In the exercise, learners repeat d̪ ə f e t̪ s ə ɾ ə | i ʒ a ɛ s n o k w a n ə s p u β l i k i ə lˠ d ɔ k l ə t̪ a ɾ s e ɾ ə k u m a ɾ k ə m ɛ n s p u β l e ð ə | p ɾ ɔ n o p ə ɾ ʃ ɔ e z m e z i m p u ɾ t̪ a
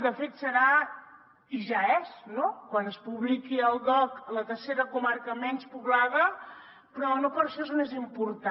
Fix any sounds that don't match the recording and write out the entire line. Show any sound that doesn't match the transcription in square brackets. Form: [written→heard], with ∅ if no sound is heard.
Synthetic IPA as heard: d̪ ə f e t̪ s ə ɾ [ə→a] | i ʒ a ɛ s n o k w a n ə s p u β l i k i ə lˠ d ɔ k l ə t̪ [a→ə] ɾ s e ɾ ə k u m a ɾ k ə m ɛ n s p u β l [e→a] ð ə | p ɾ ɔ n o p ə ɾ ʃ ɔ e z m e z i m p u ɾ t̪ a